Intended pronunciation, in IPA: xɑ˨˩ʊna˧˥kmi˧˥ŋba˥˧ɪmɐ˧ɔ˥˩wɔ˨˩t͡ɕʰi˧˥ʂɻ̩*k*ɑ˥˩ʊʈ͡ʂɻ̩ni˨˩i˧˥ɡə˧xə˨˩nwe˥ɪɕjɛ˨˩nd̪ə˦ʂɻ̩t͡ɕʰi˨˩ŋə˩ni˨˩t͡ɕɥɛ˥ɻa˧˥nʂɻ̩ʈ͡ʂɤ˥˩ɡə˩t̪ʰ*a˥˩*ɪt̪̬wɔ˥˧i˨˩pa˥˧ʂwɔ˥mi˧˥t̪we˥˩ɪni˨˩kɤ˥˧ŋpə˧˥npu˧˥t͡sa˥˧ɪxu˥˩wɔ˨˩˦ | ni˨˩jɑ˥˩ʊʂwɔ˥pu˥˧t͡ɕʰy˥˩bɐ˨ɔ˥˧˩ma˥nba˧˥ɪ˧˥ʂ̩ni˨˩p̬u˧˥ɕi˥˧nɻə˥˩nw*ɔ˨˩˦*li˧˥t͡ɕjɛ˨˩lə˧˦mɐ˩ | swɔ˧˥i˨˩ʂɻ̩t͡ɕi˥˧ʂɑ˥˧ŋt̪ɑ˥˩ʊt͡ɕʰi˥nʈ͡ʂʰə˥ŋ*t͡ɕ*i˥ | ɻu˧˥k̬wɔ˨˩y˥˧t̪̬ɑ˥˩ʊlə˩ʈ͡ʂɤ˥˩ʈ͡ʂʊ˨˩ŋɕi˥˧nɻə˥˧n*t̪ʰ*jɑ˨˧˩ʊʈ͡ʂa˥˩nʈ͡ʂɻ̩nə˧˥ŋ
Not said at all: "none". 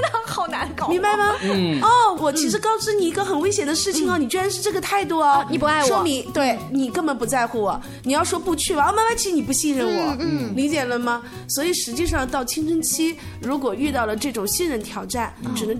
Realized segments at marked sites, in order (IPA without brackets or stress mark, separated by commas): k, a˥˩, ɔ˨˩˦, t͡ɕʰ, t̪ʰ